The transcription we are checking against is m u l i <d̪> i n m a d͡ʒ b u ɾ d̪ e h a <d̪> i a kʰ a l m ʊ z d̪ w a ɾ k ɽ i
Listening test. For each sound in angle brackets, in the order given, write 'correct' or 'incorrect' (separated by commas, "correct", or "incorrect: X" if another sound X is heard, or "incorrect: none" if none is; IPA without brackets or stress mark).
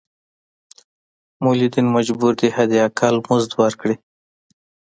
correct, correct